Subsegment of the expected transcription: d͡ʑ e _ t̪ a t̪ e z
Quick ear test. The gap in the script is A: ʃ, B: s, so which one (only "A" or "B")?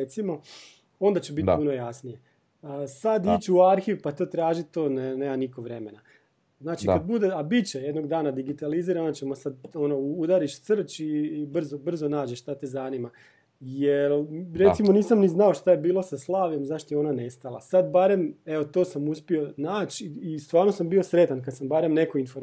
A